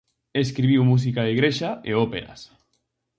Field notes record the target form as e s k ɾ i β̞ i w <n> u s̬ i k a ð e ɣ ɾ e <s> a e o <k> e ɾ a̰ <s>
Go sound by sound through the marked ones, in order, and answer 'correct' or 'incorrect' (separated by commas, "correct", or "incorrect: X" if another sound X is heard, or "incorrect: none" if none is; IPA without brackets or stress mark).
incorrect: m, incorrect: ʃ, incorrect: p, correct